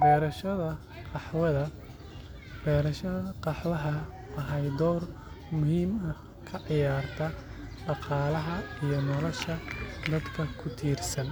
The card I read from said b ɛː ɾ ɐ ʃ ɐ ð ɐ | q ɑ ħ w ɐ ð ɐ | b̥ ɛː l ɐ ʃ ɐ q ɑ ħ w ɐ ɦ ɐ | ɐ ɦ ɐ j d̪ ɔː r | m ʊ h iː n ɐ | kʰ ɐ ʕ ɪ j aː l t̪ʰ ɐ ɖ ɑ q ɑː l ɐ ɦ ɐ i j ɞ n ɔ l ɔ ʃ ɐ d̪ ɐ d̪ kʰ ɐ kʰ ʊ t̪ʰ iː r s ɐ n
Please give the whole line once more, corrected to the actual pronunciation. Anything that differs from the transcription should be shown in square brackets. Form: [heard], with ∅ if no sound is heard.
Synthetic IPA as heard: b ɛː ɾ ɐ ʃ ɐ ð ɐ | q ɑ ħ w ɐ ð ɐ | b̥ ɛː [ɾ] ɐ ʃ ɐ q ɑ ħ w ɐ ɦ ɐ | ɐ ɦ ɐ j d̪ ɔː r | m ʊ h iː [m] ɐ | kʰ ɐ ʕ ɪ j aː [r] t̪ʰ ɐ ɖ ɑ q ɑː l ɐ ɦ ɐ i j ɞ n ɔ l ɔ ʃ ɐ d̪ ɐ d̪ kʰ ɐ kʰ ʊ t̪ʰ iː r s ɐ n